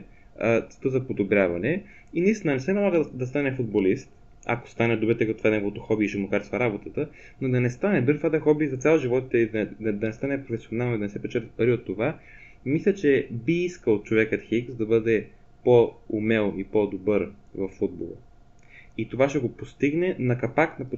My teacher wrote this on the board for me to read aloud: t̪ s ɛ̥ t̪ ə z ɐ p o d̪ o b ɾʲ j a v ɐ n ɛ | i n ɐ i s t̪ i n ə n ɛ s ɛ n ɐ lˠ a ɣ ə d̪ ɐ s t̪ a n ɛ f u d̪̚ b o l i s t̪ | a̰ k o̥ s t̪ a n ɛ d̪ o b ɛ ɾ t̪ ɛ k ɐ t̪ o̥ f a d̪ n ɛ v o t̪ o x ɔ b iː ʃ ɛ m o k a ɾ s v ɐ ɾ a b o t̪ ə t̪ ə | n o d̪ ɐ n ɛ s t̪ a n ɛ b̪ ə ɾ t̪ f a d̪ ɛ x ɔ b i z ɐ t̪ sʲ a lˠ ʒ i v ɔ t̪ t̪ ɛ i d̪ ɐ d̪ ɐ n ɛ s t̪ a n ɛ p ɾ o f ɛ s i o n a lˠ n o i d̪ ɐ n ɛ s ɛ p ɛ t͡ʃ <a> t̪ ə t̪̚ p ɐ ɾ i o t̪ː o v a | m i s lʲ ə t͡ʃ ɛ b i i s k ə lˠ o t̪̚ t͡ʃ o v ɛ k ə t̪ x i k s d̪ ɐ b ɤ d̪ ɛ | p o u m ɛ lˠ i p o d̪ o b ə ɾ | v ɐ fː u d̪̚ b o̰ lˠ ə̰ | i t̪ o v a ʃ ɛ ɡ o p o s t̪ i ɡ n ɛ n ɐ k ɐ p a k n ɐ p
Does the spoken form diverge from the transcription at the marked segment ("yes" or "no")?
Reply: yes